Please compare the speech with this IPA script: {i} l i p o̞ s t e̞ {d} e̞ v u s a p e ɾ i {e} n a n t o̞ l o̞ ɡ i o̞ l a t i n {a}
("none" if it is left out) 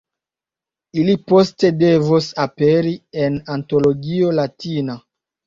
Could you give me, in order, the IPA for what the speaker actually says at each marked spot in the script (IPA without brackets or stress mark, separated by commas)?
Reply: i, d, e, a